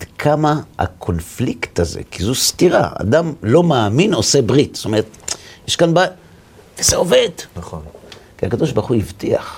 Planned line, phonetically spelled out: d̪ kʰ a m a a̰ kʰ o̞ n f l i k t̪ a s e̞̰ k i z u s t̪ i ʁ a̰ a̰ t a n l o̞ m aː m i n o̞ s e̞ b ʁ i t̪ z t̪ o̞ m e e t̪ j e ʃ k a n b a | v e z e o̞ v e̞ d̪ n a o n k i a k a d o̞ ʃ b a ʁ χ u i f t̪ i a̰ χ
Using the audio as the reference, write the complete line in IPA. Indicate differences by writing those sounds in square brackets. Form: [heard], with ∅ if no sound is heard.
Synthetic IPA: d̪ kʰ a m a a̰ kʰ o̞ n f l i k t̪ a [z] e̞̰ k i z u s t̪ i ʁ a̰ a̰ [d] a [m] l o̞ m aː m i n o̞ s e̞ b ʁ i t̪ [s] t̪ o̞ m e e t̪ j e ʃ k a n b a | v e z e o̞ v e̞ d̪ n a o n k i a k a d o̞ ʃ b a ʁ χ u i [v] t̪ i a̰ χ